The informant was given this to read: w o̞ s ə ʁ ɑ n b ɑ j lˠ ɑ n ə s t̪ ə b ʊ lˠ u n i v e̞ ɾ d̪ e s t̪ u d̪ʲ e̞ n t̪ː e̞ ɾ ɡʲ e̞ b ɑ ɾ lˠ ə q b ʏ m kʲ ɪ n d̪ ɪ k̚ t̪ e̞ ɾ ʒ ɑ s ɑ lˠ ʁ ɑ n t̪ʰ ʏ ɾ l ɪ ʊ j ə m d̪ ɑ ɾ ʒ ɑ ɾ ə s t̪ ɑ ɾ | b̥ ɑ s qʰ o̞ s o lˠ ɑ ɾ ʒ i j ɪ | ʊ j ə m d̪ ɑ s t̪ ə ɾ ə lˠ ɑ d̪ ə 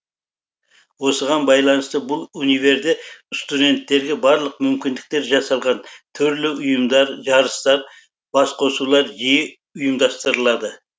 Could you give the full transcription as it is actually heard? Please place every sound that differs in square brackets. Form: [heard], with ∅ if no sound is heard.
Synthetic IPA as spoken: w o̞ s ə ʁ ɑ n b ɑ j lˠ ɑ n ə s t̪ ə b ʊ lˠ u n i v e̞ ɾ d̪ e s t̪ u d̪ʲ e̞ n t̪ː e̞ ɾ ɡʲ e̞ b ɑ ɾ lˠ ə q [m] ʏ m kʲ ɪ n d̪ ɪ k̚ t̪ e̞ ɾ ʒ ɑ s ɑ lˠ ʁ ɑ n t̪ʰ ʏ ɾ l ɪ ʊ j ə m d̪ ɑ ɾ ʒ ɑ ɾ ə s t̪ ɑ ɾ | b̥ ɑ s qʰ o̞ s [u] lˠ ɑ ɾ ʒ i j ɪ | ʊ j ə m d̪ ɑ s t̪ ə ɾ ə lˠ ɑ d̪ ə

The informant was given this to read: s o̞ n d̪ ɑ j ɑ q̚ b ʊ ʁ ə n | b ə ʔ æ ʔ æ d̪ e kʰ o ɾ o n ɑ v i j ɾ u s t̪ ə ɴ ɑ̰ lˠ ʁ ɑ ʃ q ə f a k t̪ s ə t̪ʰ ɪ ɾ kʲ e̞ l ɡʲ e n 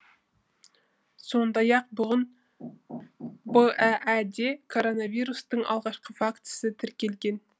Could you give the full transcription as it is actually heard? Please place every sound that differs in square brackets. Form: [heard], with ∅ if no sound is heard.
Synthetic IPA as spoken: s o̞ n d̪ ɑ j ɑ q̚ b ʊ ʁ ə n | b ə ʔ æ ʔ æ d̪ e kʰ o ɾ o n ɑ v i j ɾ u s t̪ ə ɴ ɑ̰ lˠ ʁ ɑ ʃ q ə f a k t̪ s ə t̪ʰ ɪ ɾ kʲ e̞ l ɡʲ e n

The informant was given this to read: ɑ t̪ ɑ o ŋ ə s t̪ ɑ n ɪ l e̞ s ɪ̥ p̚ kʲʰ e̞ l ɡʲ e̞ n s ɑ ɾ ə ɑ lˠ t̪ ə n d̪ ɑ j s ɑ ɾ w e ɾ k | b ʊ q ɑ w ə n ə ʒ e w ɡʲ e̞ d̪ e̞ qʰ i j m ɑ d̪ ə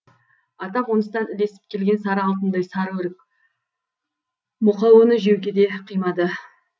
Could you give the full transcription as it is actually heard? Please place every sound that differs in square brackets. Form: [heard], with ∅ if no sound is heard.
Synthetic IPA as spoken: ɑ t̪ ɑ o [n] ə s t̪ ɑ n ɪ l e̞ s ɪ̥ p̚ kʲʰ e̞ l ɡʲ e̞ n s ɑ ɾ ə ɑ lˠ t̪ ə n d̪ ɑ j s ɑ ɾ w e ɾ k | [m] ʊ q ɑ w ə n ə ʒ e w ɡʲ e̞ d̪ e̞ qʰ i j m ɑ d̪ ə

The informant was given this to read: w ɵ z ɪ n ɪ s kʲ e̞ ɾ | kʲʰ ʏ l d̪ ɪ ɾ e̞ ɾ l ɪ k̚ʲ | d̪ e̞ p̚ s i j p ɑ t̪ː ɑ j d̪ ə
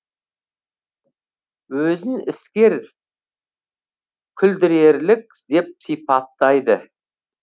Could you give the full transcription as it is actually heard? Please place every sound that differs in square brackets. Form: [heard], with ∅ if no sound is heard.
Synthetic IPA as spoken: w ɵ z ɪ n ɪ s kʲ e̞ ɾ | kʲʰ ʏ l d̪ ɪ ɾ e̞ ɾ l ɪ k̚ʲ | d̪ e̞ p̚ s i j p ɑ t̪ː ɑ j d̪ ə

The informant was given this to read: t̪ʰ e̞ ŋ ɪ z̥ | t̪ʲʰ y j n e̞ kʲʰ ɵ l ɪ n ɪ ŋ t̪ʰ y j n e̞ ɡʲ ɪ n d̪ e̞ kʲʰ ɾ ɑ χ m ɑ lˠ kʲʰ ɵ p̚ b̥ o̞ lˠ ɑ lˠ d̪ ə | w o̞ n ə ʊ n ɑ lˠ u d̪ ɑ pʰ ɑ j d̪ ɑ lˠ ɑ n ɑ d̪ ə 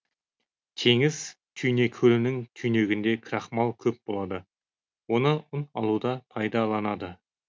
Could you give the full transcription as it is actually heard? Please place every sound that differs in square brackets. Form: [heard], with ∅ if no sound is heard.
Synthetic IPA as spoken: t̪ʰ e̞ ŋ ɪ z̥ | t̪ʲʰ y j n e̞ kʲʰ ɵ l ɪ n ɪ ŋ t̪ʰ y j n e̞ ɡʲ ɪ n d̪ e̞ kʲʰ ɾ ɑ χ m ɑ lˠ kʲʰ ɵ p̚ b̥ o̞ lˠ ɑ [∅] d̪ ə | w o̞ n ə ʊ n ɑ lˠ u d̪ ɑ pʰ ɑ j d̪ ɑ lˠ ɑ n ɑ d̪ ə

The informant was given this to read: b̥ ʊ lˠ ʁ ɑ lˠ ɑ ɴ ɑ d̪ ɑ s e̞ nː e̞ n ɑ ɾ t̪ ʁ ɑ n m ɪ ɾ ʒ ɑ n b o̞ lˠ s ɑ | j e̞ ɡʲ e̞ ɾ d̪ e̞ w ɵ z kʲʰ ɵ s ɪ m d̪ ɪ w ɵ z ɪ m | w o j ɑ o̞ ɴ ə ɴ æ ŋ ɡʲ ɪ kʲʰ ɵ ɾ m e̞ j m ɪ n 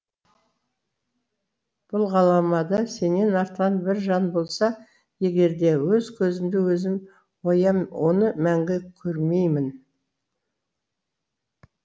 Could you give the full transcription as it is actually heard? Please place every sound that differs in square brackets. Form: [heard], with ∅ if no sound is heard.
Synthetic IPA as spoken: b̥ ʊ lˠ ʁ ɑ lˠ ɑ [m] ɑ d̪ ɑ s e̞ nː e̞ n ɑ ɾ t̪ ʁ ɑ n [b] ɪ ɾ ʒ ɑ n b o̞ lˠ s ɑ | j e̞ ɡʲ e̞ ɾ d̪ e̞ w ɵ z kʲʰ ɵ [z] ɪ m d̪ ɪ w ɵ z ɪ m | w o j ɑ o̞ [n] ə [m] æ ŋ ɡʲ ɪ kʲʰ ɵ ɾ m e̞ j m ɪ n

